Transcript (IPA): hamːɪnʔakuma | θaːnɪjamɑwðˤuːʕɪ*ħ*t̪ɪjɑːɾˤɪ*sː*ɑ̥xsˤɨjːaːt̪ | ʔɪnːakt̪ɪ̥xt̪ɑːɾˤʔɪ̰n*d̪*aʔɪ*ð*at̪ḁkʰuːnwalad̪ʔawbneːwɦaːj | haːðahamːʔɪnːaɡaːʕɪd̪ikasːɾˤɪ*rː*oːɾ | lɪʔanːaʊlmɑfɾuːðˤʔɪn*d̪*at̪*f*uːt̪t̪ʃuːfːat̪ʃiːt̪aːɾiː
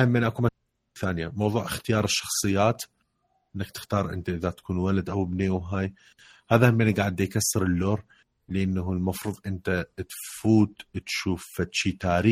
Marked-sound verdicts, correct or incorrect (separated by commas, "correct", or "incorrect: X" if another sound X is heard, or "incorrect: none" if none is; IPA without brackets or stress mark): incorrect: x, incorrect: ʃː, incorrect: t̪, correct, incorrect: lː, incorrect: t̪, correct